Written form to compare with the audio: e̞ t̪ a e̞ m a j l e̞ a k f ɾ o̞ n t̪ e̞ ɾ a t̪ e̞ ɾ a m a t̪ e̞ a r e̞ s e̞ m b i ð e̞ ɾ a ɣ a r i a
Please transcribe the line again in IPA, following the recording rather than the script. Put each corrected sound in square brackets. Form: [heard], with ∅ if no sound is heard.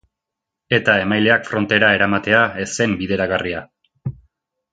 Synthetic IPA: e̞ t̪ a e̞ m a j l e̞ a k f ɾ o̞ n t̪ e̞ ɾ a [∅] e̞ ɾ a m a t̪ e̞ a [∅] e̞ s e̞ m b i ð e̞ ɾ a ɣ a r i a